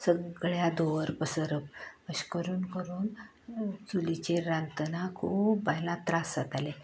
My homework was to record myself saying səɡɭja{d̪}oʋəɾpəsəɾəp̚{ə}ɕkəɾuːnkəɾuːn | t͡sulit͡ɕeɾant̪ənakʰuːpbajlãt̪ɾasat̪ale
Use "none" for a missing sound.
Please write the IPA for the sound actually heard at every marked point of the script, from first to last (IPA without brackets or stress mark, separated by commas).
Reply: d̪, ə